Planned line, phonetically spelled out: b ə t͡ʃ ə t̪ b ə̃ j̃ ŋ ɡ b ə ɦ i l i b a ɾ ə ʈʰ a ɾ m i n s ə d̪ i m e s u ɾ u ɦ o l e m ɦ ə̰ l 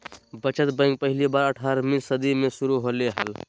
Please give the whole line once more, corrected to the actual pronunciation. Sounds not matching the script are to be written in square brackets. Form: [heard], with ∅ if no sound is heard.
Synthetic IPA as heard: b ə t͡ʃ ə t̪ b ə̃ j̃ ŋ ɡ [p] ə ɦ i l i b a ɾ ə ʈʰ a ɾ m i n s ə d̪ i m e s u ɾ u ɦ o l e [∅] ɦ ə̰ l